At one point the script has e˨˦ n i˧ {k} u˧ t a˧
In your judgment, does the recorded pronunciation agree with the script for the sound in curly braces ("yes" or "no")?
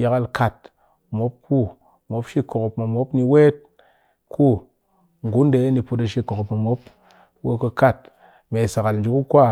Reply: no